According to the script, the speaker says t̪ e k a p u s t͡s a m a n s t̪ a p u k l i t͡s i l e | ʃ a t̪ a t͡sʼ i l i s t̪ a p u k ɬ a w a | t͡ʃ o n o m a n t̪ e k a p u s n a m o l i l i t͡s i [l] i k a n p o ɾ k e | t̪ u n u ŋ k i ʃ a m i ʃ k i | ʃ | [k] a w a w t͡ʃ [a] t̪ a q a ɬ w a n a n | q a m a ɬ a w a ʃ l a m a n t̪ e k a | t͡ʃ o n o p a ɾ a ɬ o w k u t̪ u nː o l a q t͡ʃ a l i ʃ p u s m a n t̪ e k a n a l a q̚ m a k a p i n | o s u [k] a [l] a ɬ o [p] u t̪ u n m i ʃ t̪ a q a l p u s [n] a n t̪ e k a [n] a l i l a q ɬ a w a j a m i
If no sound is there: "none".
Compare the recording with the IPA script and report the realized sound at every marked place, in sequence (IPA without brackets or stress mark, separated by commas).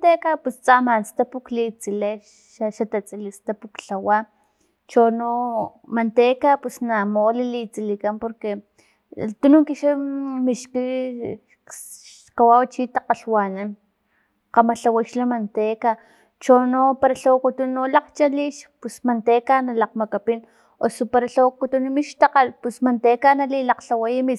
l, k, i, p, ɾ, k, m, n